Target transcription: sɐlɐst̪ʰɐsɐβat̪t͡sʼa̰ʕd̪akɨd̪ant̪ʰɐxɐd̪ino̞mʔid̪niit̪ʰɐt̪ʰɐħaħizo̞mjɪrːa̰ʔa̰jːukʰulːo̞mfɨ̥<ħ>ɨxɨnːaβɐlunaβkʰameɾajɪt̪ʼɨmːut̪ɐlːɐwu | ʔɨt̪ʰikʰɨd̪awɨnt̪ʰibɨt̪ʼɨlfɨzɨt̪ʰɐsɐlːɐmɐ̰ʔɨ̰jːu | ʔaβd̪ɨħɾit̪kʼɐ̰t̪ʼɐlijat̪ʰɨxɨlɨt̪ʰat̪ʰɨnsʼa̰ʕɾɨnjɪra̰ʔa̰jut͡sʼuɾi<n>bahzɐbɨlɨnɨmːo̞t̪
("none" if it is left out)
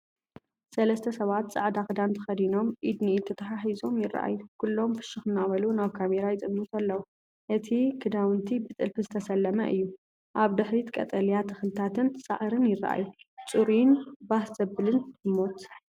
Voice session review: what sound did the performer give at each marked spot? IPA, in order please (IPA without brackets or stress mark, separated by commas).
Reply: ʃ, n